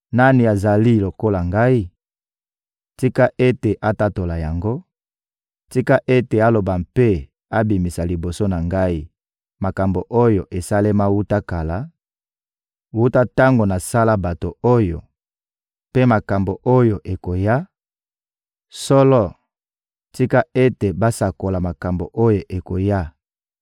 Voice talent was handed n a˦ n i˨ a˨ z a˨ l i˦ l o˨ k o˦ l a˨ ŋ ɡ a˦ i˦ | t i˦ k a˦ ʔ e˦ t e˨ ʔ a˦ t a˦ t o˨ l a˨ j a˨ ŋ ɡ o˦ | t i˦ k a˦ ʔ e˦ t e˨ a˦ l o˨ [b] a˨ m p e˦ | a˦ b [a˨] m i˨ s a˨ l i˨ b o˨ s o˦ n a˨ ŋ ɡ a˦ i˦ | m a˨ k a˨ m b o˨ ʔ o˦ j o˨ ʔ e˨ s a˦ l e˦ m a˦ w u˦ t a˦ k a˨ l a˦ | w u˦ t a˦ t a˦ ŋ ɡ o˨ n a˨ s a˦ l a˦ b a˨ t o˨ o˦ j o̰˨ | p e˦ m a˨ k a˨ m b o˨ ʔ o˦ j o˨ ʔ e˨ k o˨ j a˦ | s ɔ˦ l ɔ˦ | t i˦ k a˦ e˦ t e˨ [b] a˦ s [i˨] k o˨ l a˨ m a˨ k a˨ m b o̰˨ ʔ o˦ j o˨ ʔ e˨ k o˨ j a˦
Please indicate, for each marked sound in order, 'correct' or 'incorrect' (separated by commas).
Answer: correct, incorrect, correct, incorrect